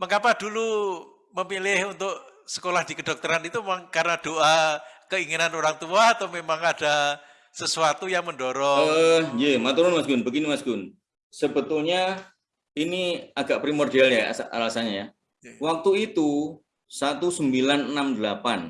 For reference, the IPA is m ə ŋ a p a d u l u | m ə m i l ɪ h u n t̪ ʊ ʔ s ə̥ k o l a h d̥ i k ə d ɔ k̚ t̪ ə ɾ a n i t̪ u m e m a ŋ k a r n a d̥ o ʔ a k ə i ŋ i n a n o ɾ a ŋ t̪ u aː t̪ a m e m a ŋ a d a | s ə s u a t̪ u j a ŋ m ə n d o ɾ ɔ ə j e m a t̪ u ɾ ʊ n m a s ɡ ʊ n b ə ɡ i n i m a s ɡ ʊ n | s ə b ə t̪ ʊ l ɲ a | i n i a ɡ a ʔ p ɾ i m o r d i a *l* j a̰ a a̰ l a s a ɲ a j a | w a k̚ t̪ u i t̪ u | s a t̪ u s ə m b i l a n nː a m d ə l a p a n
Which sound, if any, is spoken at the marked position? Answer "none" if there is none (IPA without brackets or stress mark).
l